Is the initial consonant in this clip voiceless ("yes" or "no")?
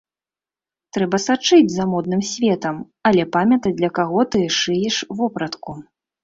yes